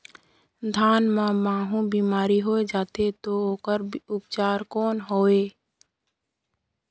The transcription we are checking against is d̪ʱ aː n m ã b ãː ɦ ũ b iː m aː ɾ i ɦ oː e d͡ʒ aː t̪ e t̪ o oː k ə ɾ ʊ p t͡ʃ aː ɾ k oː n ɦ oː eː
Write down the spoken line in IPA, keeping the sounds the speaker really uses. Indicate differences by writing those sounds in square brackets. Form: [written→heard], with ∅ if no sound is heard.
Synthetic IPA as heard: d̪ʱ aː n m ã [b→m] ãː ɦ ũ b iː m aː ɾ i ɦ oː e d͡ʒ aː t̪ e t̪ o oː k ə ɾ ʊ p t͡ʃ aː ɾ k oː n ɦ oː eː